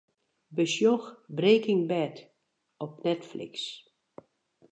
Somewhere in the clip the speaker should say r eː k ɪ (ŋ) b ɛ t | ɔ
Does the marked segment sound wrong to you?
no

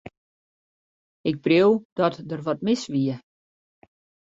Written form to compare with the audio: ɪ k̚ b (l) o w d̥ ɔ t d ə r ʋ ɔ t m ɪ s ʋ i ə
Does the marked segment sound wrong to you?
yes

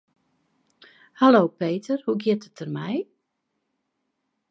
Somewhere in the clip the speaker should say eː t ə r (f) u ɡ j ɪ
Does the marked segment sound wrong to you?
yes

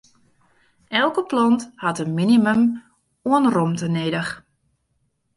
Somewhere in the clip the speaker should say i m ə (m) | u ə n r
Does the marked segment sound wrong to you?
no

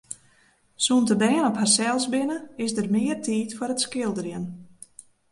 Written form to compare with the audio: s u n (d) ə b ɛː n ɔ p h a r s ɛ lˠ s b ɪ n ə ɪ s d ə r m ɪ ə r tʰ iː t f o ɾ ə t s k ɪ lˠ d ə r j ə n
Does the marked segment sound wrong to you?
yes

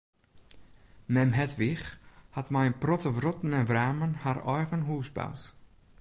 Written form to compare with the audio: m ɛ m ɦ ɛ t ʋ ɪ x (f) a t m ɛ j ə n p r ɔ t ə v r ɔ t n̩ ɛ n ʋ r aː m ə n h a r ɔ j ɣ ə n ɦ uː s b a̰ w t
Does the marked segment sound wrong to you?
yes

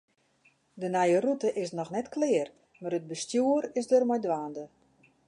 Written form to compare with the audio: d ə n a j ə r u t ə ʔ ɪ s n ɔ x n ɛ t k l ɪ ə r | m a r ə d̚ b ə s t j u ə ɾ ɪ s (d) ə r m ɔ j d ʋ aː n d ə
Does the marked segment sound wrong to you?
no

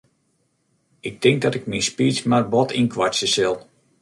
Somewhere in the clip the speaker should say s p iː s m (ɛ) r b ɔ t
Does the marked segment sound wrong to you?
yes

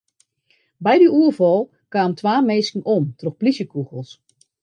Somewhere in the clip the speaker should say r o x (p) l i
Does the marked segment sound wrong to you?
no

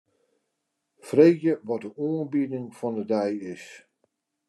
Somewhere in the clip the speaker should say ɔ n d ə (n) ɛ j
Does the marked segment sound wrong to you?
yes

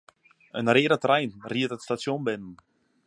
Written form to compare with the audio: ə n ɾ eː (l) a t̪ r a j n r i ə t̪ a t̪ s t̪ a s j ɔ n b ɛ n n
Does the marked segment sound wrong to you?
yes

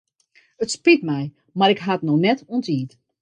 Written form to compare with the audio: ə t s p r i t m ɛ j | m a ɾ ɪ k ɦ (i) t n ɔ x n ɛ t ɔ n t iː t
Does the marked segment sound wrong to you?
yes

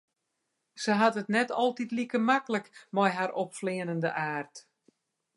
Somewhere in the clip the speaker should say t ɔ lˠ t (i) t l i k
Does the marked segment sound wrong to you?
no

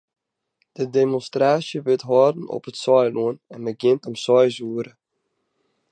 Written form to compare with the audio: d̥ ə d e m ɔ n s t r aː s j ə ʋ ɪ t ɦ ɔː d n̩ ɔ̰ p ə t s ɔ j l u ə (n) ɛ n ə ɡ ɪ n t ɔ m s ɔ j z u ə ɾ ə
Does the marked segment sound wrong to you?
no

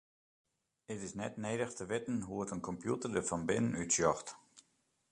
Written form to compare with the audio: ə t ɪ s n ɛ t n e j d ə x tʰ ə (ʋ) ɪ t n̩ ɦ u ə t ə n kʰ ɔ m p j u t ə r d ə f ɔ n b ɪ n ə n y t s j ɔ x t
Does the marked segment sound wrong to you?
no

